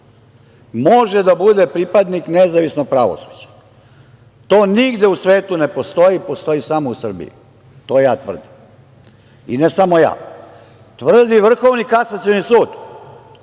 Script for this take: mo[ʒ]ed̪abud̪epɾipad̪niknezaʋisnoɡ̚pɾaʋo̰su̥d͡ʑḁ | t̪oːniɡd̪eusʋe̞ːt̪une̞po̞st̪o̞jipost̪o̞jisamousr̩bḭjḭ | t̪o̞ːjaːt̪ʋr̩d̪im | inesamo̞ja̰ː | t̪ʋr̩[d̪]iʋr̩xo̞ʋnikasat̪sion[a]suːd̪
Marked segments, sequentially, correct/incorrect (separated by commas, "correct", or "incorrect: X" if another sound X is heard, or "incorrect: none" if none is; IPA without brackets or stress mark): correct, correct, incorrect: i